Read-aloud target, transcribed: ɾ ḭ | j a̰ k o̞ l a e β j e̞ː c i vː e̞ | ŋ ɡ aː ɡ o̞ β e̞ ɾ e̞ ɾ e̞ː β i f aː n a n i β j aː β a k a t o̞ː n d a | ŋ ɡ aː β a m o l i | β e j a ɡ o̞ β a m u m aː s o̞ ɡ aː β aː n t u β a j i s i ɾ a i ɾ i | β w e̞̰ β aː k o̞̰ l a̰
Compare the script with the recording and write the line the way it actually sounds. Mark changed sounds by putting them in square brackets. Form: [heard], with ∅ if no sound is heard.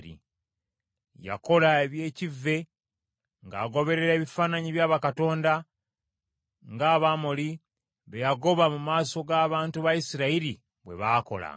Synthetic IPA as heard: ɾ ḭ | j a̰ k o̞ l a e β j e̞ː c i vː e̞ | ŋ ɡ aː ɡ o̞ β e̞ ɾ e̞ ɾ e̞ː β i f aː n a [ɲ] i β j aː β a k a t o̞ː n d a | ŋ ɡ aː β a m o l i | β e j a ɡ o̞ β a m u m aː s o̞ ɡ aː β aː n t u β a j i s i ɾ a i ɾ i | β w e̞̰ β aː k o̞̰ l a̰